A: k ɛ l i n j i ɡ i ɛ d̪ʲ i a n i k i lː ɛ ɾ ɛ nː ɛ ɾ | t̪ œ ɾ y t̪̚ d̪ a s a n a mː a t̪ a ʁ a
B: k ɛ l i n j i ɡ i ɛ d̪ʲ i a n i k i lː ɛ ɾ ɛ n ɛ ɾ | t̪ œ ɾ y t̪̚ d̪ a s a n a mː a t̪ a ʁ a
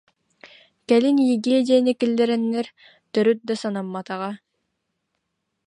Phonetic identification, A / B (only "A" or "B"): A